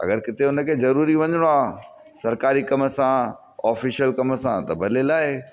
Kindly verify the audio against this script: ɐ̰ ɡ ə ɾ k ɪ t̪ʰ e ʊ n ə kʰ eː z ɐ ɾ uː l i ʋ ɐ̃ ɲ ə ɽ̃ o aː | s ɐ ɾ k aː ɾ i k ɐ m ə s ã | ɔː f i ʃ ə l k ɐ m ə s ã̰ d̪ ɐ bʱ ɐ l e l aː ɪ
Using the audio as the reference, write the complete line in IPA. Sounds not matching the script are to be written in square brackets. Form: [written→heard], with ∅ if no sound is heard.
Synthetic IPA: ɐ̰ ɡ ə ɾ k ɪ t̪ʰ e ʊ n ə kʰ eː z ɐ ɾ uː [l→ɾ] i ʋ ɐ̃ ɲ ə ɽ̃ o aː | s ɐ ɾ k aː ɾ i k ɐ m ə s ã | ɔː f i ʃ ə l k ɐ m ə s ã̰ [d̪→t̪] ɐ bʱ ɐ l e l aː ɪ